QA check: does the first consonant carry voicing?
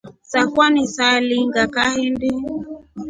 no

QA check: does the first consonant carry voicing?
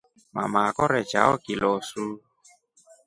yes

